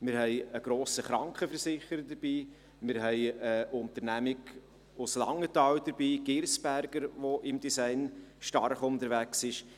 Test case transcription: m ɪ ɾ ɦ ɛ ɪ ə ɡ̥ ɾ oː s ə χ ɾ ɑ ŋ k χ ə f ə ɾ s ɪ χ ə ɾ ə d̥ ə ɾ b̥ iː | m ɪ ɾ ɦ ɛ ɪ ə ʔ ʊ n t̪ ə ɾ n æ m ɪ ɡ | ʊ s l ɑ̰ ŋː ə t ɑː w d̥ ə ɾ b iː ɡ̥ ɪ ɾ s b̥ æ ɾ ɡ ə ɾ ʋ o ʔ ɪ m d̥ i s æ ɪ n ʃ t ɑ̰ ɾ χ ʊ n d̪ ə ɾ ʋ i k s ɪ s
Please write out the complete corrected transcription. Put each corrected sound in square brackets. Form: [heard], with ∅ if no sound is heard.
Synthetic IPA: m ɪ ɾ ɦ ɛ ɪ ə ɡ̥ ɾ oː s ə χ ɾ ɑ ŋ k χ ə f ə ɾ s ɪ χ ə ɾ ə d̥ ə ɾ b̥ iː | m ɪ ɾ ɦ ɛ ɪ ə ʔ ʊ n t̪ ə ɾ n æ m ɪ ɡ | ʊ s l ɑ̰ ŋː ə t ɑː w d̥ ə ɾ b iː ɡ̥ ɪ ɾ s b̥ æ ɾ ɡ ə ɾ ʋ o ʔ ɪ m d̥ i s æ ɪ n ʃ t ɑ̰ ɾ χ ʊ n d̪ ə ɾ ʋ [æ] k s ɪ [ʃ]